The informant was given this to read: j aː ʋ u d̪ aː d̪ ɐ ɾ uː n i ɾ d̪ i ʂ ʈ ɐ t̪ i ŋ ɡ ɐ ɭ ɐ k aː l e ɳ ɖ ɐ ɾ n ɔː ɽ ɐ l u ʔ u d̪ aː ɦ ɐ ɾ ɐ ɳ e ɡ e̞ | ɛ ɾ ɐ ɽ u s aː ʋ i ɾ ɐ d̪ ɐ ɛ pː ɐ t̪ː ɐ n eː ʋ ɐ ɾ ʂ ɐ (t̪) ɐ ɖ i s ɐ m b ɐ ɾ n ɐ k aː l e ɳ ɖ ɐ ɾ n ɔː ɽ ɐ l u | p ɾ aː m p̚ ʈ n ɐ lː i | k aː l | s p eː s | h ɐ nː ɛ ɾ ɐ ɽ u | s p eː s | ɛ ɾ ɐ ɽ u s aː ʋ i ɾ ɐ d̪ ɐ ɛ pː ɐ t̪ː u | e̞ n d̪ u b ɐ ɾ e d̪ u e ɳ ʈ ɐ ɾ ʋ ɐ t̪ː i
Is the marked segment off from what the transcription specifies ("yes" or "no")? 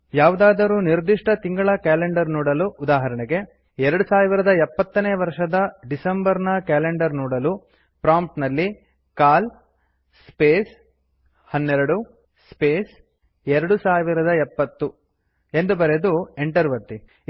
yes